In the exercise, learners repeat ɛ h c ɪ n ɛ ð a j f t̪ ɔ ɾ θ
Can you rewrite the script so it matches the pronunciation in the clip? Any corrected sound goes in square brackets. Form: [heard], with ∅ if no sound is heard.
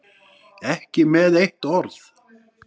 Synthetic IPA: ɛ h c ɪ [m] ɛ ð [e] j [h] t̪ ɔ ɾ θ